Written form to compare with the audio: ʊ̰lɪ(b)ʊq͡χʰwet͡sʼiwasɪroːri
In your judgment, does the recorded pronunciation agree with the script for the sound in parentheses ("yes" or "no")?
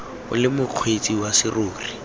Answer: no